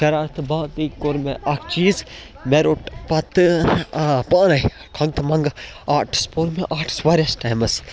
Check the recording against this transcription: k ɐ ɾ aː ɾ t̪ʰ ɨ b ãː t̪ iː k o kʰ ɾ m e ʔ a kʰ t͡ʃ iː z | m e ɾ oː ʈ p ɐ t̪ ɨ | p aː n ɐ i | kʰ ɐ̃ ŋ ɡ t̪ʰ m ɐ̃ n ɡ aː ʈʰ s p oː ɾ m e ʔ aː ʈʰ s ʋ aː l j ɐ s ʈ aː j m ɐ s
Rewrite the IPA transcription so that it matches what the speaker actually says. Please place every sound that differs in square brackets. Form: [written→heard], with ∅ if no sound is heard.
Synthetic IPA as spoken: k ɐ ɾ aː ɾ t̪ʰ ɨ b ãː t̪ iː k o [kʰ→∅] ɾ m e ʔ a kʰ t͡ʃ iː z | m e ɾ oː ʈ p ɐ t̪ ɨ | p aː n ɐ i | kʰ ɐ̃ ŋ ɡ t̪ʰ m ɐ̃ [n→ŋ] ɡ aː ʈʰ s p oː ɾ m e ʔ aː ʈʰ s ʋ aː [l→ɾ] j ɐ s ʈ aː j m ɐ s